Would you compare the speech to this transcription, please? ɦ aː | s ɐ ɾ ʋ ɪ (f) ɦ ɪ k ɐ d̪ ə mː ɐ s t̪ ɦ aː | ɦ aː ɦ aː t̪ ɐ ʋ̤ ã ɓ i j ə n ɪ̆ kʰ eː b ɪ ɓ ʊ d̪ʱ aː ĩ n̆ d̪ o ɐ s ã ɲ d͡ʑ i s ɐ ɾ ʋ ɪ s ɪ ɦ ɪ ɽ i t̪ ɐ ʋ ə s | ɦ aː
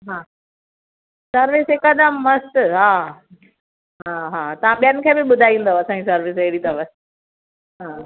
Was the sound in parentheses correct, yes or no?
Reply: no